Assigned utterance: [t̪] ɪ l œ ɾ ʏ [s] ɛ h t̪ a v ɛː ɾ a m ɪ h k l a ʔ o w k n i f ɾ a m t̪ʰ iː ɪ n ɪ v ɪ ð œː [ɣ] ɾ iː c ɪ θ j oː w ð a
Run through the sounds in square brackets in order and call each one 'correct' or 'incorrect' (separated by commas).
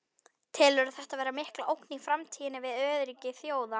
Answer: incorrect, incorrect, incorrect